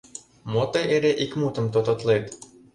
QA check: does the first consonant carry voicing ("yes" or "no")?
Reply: yes